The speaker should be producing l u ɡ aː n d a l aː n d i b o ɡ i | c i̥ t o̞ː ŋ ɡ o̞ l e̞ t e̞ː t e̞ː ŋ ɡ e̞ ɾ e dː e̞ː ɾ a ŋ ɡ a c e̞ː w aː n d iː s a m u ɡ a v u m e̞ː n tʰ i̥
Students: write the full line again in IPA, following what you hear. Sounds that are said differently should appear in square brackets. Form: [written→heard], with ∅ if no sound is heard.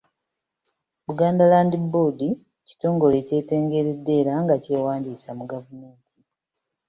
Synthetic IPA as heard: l u ɡ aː n d a l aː n d i b o [ɡ→d] i | c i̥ t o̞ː ŋ ɡ o̞ l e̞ [t→c] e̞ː t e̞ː ŋ ɡ e̞ ɾ e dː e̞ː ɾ a ŋ ɡ a c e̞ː w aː n d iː s a m u ɡ a v u m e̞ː n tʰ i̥